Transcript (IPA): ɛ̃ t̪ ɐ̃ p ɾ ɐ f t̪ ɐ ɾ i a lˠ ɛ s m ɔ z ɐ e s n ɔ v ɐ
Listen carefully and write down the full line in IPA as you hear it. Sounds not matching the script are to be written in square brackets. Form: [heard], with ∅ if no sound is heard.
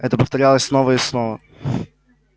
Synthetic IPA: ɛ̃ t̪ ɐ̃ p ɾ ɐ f t̪ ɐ ɾ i a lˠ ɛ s [n] ɔ [v] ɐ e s n ɔ v ɐ